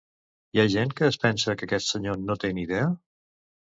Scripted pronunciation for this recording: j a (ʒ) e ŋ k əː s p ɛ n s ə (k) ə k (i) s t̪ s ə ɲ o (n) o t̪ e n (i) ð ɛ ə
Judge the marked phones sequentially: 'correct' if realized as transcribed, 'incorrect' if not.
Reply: correct, correct, incorrect: ɛ, correct, correct

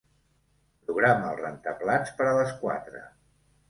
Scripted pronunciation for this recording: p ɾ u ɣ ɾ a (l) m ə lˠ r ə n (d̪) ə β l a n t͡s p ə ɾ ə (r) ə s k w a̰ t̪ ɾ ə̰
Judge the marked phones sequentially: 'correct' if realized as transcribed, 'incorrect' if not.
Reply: incorrect: none, incorrect: t̪, incorrect: l

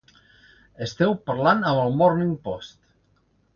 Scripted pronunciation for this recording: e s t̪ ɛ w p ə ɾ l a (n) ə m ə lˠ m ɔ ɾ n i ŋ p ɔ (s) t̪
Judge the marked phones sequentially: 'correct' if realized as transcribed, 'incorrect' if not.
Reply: correct, correct

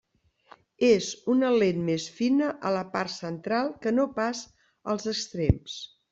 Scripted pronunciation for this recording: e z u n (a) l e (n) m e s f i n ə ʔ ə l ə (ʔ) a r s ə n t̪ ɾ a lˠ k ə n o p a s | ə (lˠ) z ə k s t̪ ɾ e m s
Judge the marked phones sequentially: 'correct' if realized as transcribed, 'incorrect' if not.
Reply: incorrect: ə, correct, incorrect: p, correct

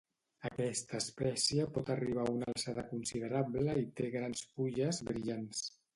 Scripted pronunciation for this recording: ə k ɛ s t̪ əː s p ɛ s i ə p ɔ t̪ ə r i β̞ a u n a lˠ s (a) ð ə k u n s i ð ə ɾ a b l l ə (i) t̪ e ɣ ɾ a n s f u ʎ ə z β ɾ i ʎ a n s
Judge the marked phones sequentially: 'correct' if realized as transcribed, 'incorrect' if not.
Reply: correct, correct

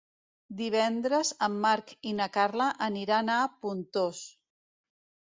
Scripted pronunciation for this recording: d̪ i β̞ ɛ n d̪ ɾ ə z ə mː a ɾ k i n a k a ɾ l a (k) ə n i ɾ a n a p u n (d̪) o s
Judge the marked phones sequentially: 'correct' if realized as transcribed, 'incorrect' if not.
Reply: incorrect: ʔ, incorrect: t̪

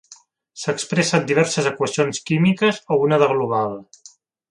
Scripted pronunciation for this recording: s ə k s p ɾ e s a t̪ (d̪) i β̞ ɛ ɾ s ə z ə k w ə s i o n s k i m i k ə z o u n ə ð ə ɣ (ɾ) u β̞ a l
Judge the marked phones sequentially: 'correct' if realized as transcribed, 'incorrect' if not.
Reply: correct, incorrect: l

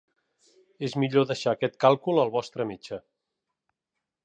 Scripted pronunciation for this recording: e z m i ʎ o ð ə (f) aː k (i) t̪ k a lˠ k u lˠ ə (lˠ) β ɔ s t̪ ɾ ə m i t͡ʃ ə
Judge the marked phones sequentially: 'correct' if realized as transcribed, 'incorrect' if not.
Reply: incorrect: ʃ, incorrect: ɛ, correct

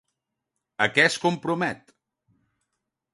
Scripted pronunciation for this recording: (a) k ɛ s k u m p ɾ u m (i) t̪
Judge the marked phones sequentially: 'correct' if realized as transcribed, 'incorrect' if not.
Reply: incorrect: ə, incorrect: ɛ

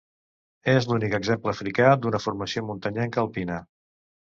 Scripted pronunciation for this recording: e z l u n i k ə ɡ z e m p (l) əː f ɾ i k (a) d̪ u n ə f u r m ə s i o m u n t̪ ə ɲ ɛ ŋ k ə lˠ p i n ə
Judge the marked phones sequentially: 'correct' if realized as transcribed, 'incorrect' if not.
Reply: correct, correct

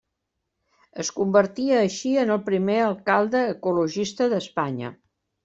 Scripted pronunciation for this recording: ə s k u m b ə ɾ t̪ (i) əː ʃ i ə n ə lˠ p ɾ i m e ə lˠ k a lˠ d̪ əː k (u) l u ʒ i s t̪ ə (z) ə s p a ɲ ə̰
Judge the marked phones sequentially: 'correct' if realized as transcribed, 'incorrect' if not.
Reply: correct, correct, incorrect: ð

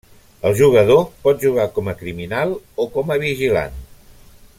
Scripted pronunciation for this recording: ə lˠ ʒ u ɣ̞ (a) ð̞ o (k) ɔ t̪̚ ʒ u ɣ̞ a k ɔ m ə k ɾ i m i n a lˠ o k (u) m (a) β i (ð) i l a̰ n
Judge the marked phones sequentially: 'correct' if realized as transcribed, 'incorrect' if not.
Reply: incorrect: ə, incorrect: p, incorrect: ɔ, incorrect: ə, incorrect: ʒ

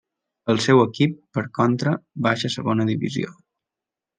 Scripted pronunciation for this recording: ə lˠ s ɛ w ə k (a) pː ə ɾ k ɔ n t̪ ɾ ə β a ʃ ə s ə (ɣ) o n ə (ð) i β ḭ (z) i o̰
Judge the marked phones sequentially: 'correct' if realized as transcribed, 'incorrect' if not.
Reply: incorrect: i, correct, correct, correct

